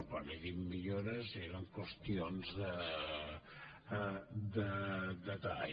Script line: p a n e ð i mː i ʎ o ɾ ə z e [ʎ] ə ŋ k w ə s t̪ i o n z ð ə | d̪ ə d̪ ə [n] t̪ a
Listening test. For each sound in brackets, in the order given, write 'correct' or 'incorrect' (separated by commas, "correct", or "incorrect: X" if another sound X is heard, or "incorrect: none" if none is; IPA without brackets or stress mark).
incorrect: ɾ, incorrect: none